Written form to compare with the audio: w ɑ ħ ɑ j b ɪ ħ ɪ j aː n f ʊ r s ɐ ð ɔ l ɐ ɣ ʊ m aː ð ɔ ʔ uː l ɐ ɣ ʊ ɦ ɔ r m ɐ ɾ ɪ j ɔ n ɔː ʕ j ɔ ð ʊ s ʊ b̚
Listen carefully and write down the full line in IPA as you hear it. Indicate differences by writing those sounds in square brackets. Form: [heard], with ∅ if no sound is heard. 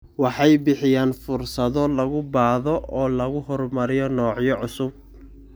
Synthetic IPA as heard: w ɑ ħ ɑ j b ɪ ħ ɪ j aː n f ʊ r s ɐ ð ɔ l ɐ ɣ ʊ [b] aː ð ɔ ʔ [ɔː] l ɐ ɣ ʊ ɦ ɔ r m ɐ ɾ ɪ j ɔ n ɔː ʕ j ɔ [ʕ] ʊ s ʊ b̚